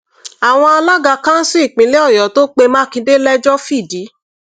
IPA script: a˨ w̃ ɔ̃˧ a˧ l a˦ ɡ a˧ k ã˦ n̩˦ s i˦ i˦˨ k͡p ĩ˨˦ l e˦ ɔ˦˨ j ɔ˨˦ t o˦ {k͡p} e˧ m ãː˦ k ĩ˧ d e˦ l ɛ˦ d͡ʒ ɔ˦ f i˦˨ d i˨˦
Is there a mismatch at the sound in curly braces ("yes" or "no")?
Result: no